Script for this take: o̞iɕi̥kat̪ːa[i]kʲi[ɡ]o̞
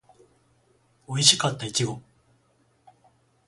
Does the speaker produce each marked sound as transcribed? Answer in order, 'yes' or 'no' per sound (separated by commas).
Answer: yes, yes